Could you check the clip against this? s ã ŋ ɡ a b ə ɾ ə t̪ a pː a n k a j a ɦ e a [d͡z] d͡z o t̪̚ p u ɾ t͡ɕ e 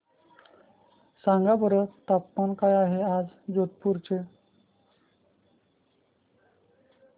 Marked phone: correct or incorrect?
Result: correct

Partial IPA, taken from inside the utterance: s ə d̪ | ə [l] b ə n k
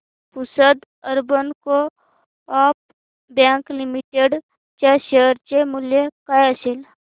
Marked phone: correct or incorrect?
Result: incorrect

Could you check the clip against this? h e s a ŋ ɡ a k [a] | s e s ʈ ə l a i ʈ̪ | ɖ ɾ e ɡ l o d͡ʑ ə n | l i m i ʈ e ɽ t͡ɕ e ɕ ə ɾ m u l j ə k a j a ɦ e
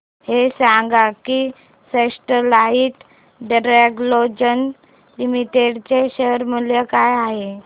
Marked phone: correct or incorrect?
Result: incorrect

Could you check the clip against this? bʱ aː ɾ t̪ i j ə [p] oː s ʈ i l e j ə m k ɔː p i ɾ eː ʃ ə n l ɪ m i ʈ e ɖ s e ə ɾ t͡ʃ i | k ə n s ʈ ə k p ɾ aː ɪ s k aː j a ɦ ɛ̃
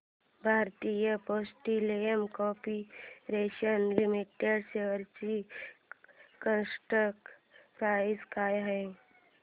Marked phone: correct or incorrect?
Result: correct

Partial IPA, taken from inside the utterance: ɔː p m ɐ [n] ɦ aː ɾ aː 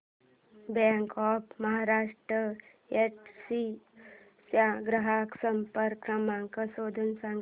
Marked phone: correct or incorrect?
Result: incorrect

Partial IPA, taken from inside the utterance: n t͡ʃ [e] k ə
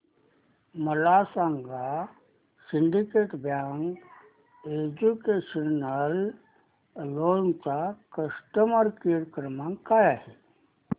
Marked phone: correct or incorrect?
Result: incorrect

